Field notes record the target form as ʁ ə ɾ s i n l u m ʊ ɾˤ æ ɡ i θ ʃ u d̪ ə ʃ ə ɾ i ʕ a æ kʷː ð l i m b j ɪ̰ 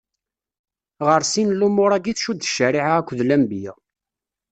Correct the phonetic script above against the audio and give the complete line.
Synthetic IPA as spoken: ʁ ə ɾ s i n l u m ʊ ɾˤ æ ɡ i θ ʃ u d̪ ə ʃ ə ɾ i ʕ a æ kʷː ð l æ m b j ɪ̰